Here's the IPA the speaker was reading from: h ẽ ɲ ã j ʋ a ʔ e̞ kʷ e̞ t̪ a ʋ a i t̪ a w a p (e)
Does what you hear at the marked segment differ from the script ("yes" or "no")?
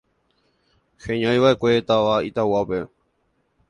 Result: no